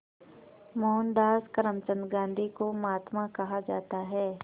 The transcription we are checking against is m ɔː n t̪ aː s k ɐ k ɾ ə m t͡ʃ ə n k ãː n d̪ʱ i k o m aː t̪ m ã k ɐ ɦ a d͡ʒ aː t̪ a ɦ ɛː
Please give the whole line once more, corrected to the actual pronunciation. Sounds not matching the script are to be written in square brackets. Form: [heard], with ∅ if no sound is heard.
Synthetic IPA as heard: m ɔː n [d̪] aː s k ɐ [∅] ɾ ə m t͡ʃ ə n [ɡ] ãː n d̪ʱ i k o m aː t̪ m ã k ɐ ɦ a d͡ʒ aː t̪ a ɦ ɛː